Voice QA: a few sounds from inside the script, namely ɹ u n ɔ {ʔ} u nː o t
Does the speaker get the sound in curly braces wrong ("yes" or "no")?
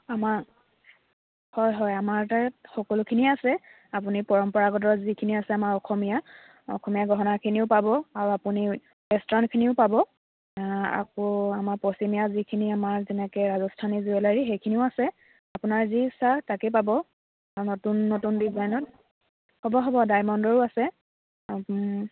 yes